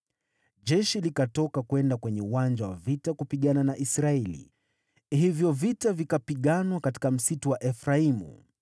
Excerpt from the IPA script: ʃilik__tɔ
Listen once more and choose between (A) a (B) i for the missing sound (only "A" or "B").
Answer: A